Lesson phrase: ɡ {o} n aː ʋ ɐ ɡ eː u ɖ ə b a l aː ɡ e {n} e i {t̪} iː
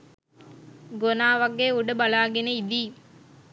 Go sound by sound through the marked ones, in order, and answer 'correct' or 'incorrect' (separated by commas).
correct, correct, incorrect